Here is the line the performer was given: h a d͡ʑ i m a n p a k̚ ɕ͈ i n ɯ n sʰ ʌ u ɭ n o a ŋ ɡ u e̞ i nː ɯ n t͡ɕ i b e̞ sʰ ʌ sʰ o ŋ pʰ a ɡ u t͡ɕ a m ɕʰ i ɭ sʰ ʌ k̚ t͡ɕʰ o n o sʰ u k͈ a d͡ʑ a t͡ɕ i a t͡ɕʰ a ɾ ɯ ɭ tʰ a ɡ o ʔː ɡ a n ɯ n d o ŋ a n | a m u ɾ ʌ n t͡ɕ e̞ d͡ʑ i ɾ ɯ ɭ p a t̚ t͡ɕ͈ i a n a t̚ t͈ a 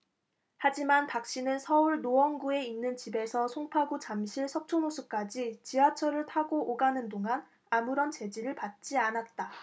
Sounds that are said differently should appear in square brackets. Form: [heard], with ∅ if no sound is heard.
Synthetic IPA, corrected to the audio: h a d͡ʑ i m a n p a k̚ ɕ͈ i n ɯ n sʰ ʌ u ɭ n o [ʌ] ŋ ɡ u e̞ i nː ɯ n t͡ɕ i b e̞ sʰ ʌ sʰ o ŋ pʰ a ɡ u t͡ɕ a m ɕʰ i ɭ sʰ ʌ k̚ t͡ɕʰ o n o sʰ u k͈ a d͡ʑ [i] t͡ɕ i a t͡ɕʰ [ʌ] ɾ ɯ ɭ tʰ a ɡ o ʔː ɡ a n ɯ n d o ŋ a n | a m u ɾ ʌ n t͡ɕ e̞ d͡ʑ i ɾ ɯ ɭ p a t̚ t͡ɕ͈ i a n a t̚ t͈ a